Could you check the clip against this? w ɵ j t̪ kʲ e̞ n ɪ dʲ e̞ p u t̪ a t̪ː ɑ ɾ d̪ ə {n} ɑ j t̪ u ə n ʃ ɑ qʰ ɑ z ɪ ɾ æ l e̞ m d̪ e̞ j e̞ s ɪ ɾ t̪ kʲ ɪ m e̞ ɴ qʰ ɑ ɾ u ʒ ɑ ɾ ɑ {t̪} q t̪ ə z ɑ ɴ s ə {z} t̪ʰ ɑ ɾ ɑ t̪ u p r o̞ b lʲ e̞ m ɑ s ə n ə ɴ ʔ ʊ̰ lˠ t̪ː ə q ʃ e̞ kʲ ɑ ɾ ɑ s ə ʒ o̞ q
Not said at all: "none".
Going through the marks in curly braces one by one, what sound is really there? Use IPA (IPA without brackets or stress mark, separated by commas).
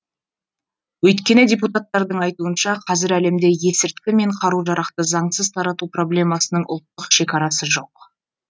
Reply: ɴ, none, z